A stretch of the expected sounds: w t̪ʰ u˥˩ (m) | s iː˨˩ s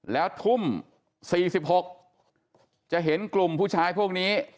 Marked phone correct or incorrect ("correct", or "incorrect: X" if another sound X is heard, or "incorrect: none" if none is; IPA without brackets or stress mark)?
correct